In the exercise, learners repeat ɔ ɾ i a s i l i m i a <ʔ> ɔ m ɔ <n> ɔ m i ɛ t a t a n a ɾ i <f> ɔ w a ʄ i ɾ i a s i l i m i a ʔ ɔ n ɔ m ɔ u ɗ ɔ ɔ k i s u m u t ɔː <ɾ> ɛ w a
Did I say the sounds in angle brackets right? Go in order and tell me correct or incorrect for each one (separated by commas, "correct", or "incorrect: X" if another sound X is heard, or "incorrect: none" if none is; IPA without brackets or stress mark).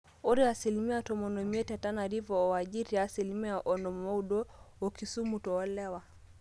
incorrect: t, correct, incorrect: v, incorrect: l